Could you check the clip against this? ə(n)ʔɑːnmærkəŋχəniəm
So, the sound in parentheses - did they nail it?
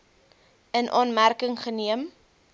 yes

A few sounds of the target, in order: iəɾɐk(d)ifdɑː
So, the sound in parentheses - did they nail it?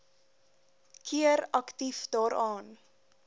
no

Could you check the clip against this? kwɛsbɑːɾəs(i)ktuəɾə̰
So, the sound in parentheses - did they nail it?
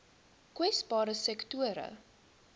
no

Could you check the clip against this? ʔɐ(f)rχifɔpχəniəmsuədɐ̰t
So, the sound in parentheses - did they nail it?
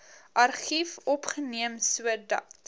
no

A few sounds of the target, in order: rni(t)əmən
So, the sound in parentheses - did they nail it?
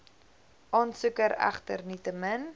yes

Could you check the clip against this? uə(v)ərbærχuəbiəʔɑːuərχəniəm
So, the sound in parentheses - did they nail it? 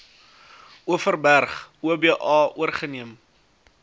no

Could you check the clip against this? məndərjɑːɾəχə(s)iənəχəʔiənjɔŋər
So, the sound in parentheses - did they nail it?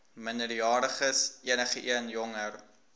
yes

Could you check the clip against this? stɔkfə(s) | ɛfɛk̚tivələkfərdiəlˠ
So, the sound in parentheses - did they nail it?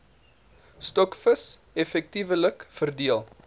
yes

